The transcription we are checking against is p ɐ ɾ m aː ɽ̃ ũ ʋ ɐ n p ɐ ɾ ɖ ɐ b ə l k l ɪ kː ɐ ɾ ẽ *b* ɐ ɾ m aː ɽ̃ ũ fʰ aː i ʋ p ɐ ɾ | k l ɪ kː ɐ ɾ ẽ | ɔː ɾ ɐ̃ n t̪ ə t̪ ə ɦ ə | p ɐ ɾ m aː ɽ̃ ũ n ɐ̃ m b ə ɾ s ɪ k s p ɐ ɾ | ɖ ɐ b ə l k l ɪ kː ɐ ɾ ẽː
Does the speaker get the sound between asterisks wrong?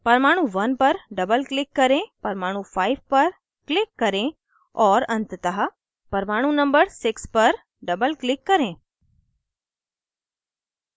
yes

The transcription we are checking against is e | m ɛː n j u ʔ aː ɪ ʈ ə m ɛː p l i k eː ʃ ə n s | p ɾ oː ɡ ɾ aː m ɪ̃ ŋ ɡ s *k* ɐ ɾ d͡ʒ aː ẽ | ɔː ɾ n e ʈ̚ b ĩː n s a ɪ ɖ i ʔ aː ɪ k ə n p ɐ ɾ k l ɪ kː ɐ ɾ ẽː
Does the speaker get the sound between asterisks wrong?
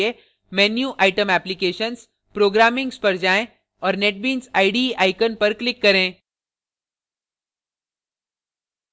yes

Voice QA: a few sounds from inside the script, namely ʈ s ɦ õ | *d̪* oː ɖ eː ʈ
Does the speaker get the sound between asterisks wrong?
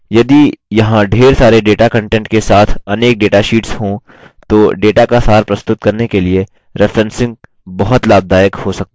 yes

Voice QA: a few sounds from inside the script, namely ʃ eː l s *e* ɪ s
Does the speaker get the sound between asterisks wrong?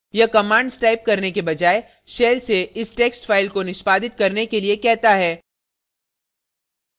no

